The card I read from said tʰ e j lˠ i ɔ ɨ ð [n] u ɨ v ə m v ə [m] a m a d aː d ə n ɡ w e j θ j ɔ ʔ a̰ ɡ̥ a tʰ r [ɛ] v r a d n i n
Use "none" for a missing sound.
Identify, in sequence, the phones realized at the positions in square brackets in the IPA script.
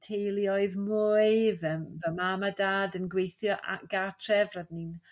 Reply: m, m, ɛ

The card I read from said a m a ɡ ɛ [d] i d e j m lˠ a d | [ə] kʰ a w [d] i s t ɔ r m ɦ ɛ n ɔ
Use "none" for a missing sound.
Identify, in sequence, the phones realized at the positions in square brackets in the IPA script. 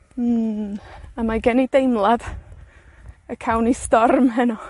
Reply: n, ə, n

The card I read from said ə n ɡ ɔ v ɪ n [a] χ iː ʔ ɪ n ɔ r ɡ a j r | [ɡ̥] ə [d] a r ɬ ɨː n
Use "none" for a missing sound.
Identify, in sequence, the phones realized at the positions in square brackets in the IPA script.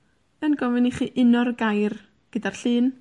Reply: i, ɡ̥, d

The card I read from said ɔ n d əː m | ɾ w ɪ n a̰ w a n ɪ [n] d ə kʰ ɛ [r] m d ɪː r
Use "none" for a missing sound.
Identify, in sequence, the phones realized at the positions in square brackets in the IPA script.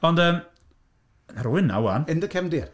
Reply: n, none

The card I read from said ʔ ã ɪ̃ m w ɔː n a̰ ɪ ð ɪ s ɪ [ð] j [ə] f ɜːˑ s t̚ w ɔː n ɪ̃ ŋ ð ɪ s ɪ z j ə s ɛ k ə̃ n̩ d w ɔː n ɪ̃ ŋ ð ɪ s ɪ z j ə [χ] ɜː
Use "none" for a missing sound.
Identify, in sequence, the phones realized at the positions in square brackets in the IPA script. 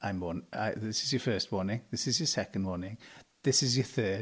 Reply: z, ə, θ

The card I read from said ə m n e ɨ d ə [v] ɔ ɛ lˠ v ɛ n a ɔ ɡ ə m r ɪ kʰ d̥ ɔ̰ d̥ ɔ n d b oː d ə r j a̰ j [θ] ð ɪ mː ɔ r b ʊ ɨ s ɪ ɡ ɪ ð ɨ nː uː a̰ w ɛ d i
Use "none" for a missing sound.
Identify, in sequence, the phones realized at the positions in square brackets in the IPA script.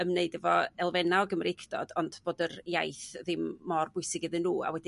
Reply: v, θ

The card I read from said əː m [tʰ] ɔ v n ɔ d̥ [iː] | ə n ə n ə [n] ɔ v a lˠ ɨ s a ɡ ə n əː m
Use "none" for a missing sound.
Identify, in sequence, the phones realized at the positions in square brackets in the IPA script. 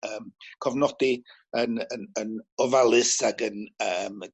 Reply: kʰ, i, n

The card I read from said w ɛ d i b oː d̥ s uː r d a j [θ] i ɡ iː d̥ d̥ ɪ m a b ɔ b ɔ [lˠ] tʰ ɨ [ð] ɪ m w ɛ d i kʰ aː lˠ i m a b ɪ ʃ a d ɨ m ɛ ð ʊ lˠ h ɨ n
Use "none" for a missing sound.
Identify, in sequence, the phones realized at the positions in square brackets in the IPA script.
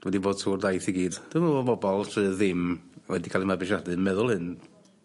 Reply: θ, lˠ, ð

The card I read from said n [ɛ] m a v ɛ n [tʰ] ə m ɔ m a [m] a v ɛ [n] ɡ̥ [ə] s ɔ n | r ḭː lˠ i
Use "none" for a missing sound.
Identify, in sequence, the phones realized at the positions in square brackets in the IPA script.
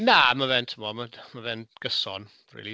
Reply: a, tʰ, m, n, ə

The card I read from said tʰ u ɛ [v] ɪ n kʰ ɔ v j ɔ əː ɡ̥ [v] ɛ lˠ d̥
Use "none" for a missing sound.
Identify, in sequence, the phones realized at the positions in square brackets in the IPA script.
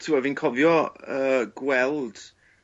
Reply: v, w

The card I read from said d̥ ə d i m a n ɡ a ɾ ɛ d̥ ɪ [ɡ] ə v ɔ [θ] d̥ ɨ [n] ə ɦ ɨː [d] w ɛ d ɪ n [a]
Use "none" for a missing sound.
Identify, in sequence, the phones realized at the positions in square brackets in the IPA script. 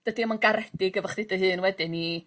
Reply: ɡ, χ, d, n, i

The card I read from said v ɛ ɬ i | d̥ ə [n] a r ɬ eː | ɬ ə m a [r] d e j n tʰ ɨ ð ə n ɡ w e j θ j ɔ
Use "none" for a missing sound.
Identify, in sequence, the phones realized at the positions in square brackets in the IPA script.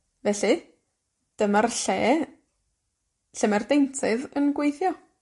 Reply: m, r

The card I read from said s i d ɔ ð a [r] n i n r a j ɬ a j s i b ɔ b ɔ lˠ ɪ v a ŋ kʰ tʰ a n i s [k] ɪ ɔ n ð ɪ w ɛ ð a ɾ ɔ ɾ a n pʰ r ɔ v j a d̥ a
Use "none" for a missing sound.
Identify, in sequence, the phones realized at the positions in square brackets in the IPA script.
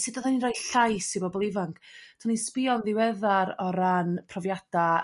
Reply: none, p

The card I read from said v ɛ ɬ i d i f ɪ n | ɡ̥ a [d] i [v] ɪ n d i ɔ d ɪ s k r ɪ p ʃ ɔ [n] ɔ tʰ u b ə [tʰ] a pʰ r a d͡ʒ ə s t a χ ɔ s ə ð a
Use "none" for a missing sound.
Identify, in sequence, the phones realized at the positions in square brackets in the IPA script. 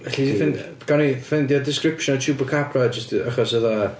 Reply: n, f, n, kʰ

